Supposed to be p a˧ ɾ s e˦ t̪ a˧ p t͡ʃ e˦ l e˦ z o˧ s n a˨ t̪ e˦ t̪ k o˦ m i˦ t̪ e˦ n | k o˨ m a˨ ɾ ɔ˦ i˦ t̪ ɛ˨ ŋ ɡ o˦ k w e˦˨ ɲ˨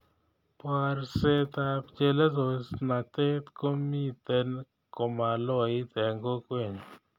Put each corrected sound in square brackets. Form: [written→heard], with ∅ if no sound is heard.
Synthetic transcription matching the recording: p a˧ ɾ s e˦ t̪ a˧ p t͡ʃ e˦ l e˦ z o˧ s n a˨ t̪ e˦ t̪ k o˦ m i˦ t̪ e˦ n | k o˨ m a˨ [ɾ→l] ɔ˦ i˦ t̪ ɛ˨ ŋ ɡ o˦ k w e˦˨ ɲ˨